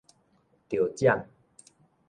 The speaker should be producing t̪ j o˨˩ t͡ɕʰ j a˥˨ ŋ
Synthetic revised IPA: t̪ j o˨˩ t͡ɕ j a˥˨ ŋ